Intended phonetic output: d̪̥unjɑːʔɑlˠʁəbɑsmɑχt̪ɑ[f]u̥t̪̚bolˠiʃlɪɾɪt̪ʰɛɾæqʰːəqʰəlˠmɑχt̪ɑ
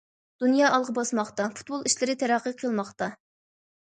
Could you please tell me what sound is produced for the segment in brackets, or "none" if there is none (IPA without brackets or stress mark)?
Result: f